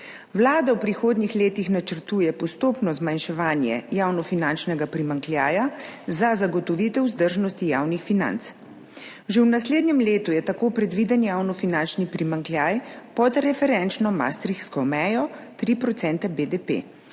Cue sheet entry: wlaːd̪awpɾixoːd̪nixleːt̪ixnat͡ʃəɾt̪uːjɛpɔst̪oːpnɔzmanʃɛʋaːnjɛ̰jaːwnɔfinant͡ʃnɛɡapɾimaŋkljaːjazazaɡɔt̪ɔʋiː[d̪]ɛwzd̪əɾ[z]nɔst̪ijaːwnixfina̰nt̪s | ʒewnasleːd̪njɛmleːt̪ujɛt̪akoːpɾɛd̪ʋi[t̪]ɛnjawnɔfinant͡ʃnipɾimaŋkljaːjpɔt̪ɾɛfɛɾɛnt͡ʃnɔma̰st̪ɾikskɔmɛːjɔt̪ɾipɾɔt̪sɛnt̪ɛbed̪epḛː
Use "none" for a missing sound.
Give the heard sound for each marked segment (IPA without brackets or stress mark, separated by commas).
t̪, ʒ, d̪